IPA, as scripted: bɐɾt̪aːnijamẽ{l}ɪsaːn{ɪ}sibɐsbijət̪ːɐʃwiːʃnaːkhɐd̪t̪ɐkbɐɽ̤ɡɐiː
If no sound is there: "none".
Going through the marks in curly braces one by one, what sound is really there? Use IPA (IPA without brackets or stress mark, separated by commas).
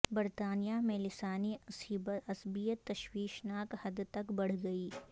l, i